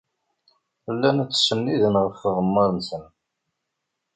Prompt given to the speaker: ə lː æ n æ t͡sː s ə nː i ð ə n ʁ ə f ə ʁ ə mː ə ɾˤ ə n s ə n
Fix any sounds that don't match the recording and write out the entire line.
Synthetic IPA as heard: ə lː æ n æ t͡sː s ə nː i ð ə n ʁ ə f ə ʁ ə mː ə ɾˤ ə n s ə n